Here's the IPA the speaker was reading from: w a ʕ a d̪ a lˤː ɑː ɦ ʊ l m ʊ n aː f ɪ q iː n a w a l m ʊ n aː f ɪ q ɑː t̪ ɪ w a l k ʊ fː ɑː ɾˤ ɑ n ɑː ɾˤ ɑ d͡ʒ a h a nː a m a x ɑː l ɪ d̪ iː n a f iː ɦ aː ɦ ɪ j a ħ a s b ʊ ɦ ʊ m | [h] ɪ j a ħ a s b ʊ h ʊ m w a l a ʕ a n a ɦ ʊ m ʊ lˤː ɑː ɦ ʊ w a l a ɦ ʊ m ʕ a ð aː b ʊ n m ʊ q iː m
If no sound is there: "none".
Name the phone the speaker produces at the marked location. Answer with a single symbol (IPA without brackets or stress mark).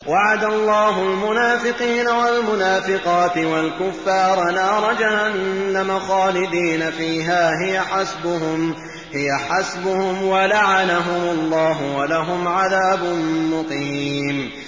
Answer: h